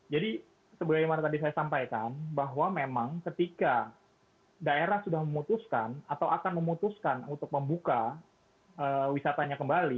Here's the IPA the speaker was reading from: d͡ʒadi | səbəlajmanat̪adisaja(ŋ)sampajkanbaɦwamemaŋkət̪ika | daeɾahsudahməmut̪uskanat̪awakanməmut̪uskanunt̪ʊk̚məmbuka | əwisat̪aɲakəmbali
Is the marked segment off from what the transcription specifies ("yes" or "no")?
yes